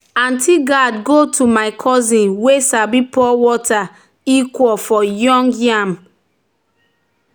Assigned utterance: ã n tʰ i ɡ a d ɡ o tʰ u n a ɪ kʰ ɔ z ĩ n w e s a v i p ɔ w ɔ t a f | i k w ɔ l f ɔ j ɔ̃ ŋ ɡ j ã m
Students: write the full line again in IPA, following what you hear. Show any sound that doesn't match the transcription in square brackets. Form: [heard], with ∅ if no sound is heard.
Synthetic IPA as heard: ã n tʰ i ɡ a d ɡ o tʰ u [m] a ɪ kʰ ɔ z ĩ n w e s a [b] i p ɔ w ɔ t a [∅] | i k w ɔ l f ɔ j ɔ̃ ŋ ɡ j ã m